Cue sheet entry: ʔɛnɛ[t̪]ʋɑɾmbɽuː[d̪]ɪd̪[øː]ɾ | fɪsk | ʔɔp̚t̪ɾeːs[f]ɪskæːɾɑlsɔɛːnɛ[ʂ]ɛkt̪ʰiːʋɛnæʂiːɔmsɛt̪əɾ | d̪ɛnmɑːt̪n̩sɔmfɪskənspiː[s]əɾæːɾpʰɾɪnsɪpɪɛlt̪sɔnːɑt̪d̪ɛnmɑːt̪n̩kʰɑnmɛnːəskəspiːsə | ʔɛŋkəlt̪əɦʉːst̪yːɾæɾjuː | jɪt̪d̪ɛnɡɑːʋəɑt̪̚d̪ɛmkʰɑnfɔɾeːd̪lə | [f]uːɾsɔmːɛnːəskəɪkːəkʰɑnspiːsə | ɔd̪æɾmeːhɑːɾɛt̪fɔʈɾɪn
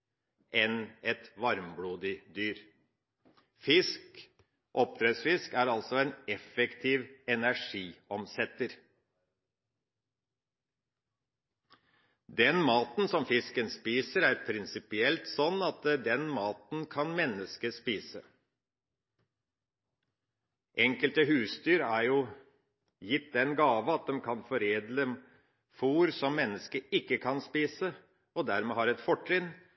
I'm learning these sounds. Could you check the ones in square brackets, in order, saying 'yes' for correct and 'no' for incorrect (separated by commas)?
yes, yes, no, yes, no, yes, yes